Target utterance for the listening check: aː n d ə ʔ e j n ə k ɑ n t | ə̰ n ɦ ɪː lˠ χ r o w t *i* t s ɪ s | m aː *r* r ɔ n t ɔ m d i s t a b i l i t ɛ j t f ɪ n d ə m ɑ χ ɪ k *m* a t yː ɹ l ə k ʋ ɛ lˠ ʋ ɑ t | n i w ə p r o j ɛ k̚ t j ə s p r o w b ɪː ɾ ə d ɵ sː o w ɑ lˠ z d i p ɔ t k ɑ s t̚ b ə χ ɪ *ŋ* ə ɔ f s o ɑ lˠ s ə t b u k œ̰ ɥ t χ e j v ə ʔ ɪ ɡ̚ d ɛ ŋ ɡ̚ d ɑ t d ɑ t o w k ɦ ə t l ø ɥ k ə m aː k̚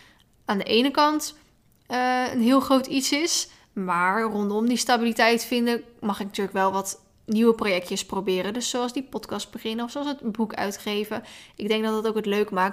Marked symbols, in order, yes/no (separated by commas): yes, no, no, no